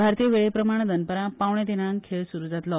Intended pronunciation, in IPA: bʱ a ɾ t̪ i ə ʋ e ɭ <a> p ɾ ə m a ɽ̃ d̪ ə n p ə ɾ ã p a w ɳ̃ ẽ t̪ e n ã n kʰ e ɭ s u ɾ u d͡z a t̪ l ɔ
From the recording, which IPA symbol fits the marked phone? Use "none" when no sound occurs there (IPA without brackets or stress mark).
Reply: e